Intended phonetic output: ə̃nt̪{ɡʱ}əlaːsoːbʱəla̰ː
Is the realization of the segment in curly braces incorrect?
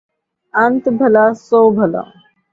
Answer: yes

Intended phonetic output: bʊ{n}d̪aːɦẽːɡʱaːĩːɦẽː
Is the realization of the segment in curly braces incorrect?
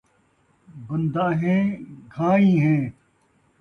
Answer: no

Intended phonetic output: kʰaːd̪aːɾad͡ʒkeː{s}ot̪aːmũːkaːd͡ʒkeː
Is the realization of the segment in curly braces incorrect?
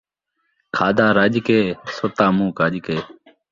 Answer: no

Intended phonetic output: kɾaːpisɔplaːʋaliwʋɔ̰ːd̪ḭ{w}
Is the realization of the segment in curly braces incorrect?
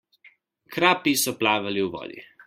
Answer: yes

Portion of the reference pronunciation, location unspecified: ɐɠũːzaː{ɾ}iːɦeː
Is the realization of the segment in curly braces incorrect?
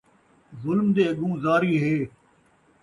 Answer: no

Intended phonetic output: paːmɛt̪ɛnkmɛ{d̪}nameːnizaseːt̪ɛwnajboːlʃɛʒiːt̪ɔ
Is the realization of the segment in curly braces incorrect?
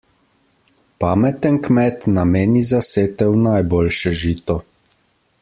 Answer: yes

